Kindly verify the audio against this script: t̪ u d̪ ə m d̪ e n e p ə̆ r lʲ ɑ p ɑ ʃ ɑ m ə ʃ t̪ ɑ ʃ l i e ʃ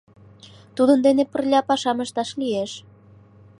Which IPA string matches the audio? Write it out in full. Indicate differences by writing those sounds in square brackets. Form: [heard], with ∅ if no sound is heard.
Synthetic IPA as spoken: t̪ u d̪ ə [n] d̪ e n e p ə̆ r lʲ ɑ p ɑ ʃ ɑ m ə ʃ t̪ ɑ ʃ l i e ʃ